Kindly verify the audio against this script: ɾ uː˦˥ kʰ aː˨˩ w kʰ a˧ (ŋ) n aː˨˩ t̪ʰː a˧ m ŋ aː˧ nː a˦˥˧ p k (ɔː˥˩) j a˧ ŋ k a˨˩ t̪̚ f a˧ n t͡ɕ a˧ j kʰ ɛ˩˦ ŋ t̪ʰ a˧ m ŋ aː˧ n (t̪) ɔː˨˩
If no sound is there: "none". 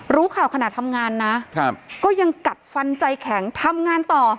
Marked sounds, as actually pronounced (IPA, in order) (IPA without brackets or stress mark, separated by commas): none, ɔː˥˩, t̪